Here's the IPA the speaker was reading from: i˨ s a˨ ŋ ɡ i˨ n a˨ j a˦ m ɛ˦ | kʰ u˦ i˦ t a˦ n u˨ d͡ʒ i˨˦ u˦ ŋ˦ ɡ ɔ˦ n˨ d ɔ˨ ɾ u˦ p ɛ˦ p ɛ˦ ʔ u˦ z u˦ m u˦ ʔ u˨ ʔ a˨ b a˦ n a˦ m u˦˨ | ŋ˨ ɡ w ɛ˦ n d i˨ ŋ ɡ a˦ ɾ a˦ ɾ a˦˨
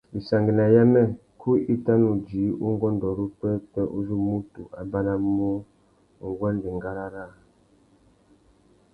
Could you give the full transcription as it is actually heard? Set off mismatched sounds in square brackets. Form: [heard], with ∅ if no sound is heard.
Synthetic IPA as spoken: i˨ s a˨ ŋ ɡ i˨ n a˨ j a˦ m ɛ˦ | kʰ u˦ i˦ t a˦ n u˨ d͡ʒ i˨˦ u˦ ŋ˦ ɡ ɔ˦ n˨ d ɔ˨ ɾ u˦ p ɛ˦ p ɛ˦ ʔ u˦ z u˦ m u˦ [t] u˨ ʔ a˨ b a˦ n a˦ m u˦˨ | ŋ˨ ɡ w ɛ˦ n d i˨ ŋ ɡ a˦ ɾ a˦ ɾ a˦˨